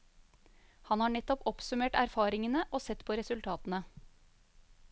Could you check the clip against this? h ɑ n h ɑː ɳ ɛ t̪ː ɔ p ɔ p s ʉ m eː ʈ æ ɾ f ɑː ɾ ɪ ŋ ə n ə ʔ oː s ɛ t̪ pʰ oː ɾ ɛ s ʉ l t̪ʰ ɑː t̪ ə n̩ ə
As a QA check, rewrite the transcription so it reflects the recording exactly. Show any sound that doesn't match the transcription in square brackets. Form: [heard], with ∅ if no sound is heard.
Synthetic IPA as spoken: h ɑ n h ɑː ɳ ɛ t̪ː ɔ p ɔ p s ʉ m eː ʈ æ ɾ f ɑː ɾ ɪ ŋ ə n ə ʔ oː s ɛ t̪ pʰ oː ɾ ɛ s ʉ l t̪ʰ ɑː t̪ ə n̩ ə